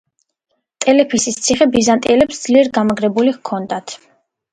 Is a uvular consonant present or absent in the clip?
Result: present